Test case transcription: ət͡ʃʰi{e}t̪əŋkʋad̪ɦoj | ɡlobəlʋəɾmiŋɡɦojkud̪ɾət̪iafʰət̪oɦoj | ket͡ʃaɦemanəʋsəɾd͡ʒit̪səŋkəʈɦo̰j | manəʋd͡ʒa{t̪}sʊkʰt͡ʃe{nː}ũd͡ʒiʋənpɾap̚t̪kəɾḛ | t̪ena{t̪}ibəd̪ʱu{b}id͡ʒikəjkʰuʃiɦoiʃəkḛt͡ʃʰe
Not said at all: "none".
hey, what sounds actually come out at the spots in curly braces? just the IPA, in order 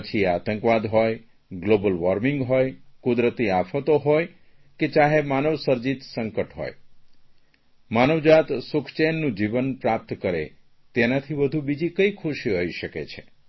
a, t̪, nː, t̪ʰ, b

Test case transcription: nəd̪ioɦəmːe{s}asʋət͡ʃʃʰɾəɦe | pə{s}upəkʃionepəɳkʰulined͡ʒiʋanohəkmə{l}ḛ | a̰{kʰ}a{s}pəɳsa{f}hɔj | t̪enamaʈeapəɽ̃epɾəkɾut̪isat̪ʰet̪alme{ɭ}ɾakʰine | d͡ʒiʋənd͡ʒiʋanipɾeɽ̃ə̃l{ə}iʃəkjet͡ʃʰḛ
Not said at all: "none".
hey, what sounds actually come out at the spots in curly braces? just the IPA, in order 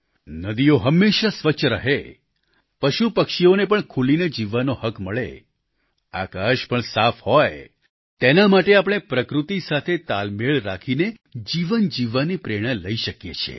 ʃ, ʃ, ɭ, k, ʃ, f, ɭ, ə

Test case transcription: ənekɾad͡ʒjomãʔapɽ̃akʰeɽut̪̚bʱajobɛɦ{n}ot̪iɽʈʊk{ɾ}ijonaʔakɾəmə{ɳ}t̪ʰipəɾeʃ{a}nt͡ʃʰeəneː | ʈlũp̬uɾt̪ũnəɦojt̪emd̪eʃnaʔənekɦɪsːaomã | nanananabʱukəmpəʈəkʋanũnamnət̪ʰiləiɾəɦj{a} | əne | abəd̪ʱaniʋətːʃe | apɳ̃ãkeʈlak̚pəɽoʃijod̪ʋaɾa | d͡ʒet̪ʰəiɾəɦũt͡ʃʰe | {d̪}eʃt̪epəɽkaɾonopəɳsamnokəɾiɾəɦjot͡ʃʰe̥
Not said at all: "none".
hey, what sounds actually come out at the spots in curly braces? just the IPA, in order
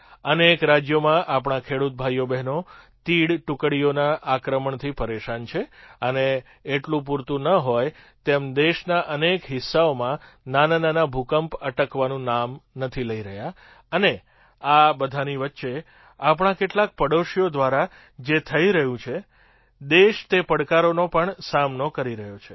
n, ɽ, ɳ, a, a, d̪

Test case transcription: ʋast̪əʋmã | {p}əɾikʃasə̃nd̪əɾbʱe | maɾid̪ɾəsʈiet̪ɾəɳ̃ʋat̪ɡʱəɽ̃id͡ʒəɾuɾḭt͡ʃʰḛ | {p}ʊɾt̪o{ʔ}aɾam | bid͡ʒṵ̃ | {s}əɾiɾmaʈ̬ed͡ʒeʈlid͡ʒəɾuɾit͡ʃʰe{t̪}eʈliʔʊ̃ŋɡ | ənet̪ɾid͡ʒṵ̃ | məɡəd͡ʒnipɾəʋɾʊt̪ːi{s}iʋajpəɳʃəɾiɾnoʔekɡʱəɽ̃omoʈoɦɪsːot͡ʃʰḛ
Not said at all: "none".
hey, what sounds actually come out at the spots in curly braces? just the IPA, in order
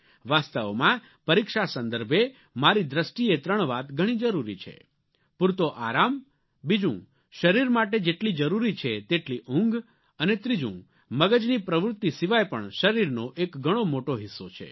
p, p, ʔ, ʃ, t̪, s

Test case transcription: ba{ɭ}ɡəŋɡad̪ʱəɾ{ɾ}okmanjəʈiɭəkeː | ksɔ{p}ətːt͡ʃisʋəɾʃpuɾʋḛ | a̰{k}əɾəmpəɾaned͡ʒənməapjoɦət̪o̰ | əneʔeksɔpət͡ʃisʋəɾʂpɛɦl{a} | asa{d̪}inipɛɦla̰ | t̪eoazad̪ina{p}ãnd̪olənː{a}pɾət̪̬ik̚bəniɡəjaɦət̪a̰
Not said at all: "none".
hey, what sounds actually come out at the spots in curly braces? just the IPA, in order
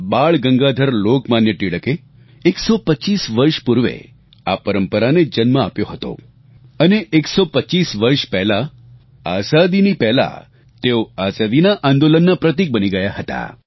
ɭ, l, p, p, a, d̪, ʔ, a

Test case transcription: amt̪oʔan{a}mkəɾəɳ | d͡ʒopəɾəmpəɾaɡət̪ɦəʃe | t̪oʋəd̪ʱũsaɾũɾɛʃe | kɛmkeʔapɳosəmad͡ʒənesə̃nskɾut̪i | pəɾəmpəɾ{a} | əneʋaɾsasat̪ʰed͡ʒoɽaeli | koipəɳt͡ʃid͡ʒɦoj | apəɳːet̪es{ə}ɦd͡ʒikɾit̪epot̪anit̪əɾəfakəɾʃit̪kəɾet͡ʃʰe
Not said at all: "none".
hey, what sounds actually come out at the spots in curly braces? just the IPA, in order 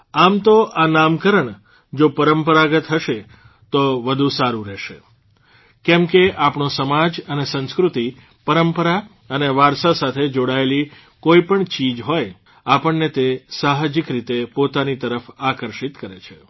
a, a, a

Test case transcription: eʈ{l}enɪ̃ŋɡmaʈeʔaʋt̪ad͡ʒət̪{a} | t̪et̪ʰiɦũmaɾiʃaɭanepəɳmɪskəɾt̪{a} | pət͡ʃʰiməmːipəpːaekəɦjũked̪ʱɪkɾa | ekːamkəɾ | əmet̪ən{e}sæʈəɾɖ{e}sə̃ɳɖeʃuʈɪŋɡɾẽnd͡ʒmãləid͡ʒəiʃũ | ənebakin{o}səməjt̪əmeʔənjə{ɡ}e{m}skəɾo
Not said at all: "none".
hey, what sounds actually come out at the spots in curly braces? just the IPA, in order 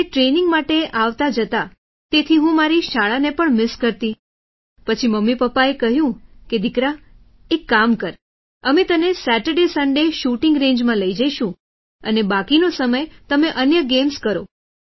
ɾ, a, i, e, e, o, ɡ, m

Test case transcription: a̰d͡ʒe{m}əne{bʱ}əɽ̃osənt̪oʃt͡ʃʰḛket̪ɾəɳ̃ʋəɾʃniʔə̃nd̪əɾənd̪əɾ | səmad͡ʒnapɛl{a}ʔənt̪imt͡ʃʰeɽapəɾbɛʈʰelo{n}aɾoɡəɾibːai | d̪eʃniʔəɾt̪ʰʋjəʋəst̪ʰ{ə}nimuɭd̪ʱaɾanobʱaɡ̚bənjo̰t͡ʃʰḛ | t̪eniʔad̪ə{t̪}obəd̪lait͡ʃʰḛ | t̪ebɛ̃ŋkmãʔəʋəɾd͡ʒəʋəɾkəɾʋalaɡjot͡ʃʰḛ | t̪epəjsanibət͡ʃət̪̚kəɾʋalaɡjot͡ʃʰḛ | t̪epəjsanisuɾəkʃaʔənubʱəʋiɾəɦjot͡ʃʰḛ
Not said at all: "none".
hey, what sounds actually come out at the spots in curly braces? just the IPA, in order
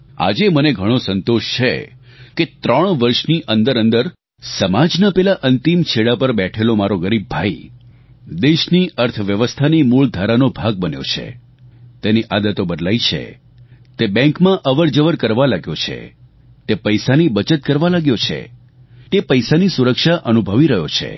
m, ɡʱ, a, m, a, t̪

